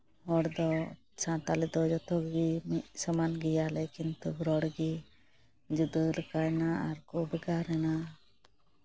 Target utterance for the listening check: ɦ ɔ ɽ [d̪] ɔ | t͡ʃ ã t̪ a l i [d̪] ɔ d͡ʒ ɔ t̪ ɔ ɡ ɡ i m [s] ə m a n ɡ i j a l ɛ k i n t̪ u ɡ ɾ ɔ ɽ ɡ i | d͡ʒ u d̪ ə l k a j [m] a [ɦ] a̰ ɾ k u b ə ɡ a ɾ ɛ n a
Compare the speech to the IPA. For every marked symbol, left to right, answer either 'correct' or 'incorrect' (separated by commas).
correct, correct, correct, incorrect, incorrect